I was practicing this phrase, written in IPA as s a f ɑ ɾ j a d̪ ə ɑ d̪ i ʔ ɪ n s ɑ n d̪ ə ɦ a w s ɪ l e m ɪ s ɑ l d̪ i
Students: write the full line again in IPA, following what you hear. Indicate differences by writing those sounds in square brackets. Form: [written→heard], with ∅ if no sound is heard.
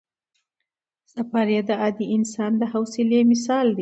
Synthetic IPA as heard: s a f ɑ ɾ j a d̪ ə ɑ d̪ i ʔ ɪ n s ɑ n d̪ ə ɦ a w s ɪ l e m ɪ s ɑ l d̪ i